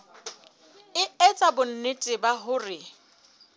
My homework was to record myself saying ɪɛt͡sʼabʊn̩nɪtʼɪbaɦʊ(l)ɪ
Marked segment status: incorrect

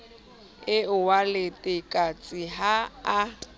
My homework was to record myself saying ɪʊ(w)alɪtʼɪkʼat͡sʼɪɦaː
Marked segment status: correct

